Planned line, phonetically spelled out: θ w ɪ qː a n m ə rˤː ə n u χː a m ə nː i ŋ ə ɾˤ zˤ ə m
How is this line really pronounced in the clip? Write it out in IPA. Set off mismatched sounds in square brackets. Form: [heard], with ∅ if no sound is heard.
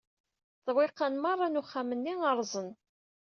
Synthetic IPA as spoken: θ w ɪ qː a n m [ɑ] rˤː [ɑ] n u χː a m ə nː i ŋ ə ɾˤ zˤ ə [n]